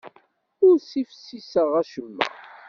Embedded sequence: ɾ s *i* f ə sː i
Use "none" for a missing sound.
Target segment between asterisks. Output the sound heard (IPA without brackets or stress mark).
i